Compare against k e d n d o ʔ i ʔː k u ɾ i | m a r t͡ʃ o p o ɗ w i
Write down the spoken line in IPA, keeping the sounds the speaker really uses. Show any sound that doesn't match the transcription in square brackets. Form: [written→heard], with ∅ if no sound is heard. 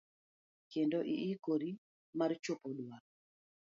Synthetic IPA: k e [d→∅] n d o ʔ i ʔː k [u→o] ɾ i | m a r t͡ʃ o p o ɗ w [i→a]